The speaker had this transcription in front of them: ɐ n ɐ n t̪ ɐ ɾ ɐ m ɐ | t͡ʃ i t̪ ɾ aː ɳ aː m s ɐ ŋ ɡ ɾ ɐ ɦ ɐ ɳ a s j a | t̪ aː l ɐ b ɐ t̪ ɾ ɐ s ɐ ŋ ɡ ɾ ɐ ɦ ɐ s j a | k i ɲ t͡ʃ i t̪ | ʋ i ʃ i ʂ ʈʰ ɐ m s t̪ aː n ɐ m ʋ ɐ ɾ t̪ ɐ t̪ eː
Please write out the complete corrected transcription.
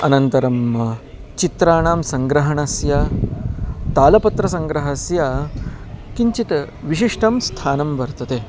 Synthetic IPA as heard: ɐ n ɐ n t̪ ɐ ɾ ɐ m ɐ | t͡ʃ i t̪ ɾ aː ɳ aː m s ɐ ŋ ɡ ɾ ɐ ɦ ɐ ɳ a s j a | t̪ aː l ɐ p ɐ t̪ ɾ ɐ s ɐ ŋ ɡ ɾ ɐ ɦ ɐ s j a | k i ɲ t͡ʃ i t̪ | ʋ i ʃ i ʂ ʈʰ ɐ m s t̪ʰ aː n ɐ m ʋ ɐ ɾ t̪ ɐ t̪ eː